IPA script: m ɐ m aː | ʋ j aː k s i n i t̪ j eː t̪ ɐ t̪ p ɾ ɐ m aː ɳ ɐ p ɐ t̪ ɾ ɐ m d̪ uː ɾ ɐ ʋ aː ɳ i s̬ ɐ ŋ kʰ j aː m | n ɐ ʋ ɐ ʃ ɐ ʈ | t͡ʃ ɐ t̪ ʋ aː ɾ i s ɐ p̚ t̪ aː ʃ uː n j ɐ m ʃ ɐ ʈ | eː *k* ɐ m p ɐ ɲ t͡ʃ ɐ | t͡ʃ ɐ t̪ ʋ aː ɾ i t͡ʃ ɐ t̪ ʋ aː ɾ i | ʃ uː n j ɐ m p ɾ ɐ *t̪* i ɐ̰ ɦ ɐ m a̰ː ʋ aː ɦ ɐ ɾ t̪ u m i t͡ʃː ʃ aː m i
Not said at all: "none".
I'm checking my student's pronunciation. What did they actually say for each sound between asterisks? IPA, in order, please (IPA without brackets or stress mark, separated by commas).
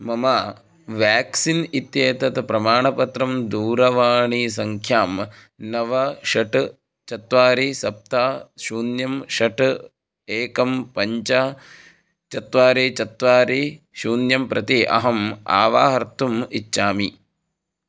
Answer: k, t̪